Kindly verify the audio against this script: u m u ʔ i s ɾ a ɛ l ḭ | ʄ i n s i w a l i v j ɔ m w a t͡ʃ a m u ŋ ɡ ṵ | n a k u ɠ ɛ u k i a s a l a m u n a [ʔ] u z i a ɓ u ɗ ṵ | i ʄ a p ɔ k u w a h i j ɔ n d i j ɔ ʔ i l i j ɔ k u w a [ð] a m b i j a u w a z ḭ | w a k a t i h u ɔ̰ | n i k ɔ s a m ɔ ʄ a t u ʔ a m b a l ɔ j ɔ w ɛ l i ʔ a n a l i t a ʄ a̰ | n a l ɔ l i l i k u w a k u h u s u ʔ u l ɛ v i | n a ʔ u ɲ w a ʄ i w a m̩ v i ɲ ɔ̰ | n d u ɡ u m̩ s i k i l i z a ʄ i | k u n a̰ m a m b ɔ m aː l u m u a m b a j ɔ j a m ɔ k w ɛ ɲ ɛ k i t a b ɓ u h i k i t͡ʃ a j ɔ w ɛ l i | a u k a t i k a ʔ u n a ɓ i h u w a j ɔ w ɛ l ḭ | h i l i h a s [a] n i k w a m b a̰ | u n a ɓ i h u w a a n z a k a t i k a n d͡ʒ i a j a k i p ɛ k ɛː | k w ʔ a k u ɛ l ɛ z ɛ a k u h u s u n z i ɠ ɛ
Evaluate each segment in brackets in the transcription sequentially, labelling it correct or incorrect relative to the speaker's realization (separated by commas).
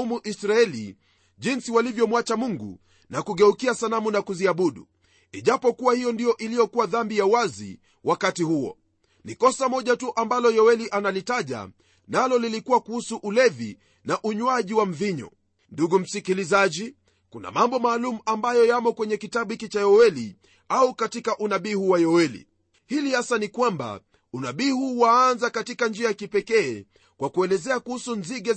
incorrect, correct, correct